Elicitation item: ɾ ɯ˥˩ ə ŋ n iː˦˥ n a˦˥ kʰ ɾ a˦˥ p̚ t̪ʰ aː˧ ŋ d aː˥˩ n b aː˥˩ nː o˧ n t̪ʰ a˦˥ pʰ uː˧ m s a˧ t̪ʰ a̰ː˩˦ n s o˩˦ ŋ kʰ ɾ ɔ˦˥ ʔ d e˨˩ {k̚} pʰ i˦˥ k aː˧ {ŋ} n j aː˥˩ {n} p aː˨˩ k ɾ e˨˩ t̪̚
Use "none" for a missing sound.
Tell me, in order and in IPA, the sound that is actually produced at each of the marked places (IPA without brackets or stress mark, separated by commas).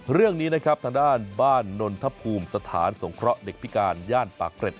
k̚, none, n